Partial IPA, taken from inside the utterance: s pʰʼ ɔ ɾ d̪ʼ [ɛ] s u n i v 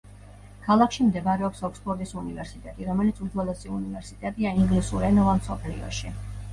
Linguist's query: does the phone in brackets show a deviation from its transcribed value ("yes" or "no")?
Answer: yes